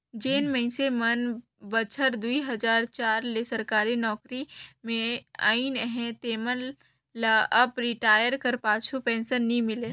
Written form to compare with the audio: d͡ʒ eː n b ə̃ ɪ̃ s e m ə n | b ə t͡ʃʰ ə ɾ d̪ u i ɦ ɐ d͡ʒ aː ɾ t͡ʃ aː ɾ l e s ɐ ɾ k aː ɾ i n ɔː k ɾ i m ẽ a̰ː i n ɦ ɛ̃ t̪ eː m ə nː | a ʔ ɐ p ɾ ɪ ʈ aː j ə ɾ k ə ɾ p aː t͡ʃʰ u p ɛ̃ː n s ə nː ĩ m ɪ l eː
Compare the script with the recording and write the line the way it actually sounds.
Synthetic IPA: d͡ʒ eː n m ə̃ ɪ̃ s e m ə n | b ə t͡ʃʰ ə ɾ d̪ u i ɦ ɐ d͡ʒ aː ɾ t͡ʃ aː ɾ l e s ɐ ɾ k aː ɾ i n ɔː k ɾ i m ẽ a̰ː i n ɦ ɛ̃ t̪ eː m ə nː | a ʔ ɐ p ɾ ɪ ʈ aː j ə ɾ k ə ɾ p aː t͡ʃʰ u p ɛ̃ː n s ə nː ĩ m ɪ l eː